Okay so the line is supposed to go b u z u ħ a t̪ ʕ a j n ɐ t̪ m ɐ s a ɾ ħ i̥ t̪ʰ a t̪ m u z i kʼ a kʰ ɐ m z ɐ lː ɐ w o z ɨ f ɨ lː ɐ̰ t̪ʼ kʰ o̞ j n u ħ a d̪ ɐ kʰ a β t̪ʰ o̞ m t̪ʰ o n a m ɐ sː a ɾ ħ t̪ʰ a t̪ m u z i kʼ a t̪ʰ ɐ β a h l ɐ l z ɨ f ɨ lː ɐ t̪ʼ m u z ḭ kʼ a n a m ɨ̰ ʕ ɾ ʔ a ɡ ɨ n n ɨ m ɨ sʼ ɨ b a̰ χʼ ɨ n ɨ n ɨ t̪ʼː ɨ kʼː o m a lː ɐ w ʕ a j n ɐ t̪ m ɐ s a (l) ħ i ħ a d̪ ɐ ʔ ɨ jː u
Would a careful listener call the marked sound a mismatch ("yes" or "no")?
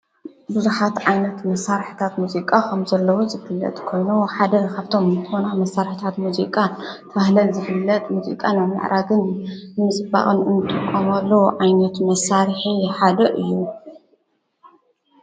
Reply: yes